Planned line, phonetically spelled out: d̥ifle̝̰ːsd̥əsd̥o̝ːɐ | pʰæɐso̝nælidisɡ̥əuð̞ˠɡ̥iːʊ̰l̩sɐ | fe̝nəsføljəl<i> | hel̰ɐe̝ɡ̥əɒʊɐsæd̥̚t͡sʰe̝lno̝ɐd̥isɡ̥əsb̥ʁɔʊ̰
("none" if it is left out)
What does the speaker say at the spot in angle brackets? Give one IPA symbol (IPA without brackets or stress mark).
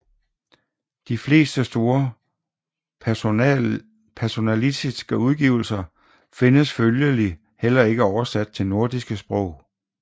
i